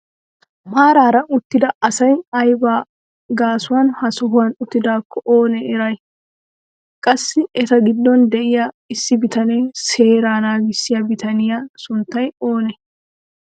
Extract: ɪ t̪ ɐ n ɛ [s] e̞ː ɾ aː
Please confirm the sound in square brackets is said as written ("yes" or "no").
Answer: yes